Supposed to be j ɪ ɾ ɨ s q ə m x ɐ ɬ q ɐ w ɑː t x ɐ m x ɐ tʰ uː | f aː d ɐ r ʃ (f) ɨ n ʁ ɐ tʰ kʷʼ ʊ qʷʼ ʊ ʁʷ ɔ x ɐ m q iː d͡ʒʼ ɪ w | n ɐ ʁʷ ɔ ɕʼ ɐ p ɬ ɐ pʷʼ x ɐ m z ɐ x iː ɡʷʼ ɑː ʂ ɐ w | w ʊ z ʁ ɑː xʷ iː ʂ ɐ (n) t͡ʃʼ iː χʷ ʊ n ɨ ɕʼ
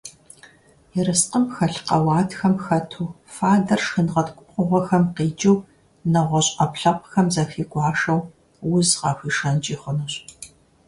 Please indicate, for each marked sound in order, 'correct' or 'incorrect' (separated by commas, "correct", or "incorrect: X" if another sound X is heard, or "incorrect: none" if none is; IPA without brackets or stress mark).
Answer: incorrect: x, correct